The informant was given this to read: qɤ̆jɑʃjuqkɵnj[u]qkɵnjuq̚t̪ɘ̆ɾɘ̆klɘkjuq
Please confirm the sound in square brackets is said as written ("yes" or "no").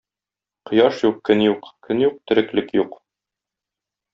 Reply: yes